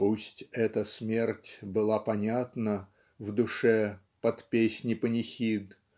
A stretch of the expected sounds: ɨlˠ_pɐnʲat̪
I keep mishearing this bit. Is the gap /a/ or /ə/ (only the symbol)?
a